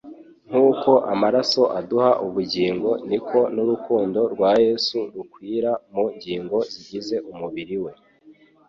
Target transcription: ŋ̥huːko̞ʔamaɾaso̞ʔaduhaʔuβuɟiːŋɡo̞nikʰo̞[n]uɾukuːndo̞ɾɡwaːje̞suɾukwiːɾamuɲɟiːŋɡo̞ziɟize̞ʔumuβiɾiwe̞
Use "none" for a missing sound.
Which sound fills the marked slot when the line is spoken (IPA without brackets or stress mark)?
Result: n